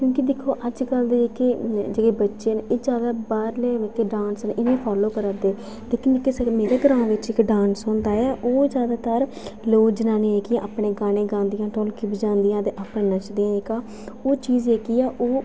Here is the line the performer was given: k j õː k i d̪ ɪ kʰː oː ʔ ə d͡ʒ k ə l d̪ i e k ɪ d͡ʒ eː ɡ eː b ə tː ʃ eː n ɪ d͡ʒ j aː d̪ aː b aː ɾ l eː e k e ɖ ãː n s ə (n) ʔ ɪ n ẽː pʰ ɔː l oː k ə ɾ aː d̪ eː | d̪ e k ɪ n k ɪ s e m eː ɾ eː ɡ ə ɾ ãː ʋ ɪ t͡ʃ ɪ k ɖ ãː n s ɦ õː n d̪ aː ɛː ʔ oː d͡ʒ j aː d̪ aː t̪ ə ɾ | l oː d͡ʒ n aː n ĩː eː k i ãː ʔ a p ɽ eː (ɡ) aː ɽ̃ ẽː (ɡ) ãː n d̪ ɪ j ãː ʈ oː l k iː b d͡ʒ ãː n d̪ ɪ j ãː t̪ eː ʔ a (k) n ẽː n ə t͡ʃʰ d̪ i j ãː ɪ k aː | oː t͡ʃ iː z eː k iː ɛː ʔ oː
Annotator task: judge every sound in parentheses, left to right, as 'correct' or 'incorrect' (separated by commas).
correct, correct, correct, incorrect